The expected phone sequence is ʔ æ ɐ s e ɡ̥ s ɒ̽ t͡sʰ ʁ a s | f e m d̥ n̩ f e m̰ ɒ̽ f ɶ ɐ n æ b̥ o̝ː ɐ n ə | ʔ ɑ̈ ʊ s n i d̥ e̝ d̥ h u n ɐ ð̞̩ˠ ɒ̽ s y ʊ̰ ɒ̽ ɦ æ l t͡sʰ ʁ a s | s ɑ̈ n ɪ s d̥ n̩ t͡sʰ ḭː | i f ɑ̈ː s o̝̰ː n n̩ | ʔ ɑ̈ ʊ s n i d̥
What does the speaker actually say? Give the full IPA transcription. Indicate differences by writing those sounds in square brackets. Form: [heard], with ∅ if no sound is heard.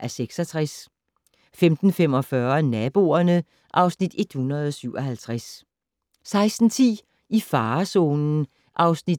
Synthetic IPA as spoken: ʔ æ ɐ s e ɡ̥ s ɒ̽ t͡sʰ ʁ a s | f e m d̥ n̩ f e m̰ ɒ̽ f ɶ ɐ n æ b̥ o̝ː ɐ n ə | ʔ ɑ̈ ʊ s n i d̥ e̝ d̥ h u n ɐ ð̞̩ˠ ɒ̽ s y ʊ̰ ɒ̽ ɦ æ l t͡sʰ ʁ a s | s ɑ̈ [∅] ɪ s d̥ n̩ t͡sʰ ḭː | i f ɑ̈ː s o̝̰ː n n̩ | ʔ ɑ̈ ʊ s n i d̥